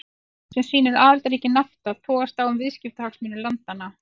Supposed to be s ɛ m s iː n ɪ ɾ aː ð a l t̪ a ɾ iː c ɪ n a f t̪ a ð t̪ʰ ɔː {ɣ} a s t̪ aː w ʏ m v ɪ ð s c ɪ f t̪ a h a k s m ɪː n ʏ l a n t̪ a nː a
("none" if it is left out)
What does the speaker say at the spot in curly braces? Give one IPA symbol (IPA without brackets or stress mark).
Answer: ɣ